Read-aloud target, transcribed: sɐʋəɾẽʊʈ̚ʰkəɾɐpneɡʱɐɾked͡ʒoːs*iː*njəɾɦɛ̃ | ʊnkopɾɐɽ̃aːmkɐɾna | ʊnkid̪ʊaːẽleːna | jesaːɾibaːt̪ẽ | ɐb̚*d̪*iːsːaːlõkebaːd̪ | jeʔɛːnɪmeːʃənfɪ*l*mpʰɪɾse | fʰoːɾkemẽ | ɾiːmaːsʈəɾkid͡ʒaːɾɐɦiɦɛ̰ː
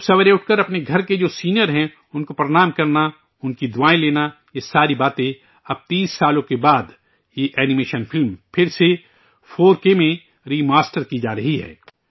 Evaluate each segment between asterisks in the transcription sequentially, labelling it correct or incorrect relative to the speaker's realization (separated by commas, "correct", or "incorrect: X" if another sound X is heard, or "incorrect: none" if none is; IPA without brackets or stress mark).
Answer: correct, incorrect: t̪, correct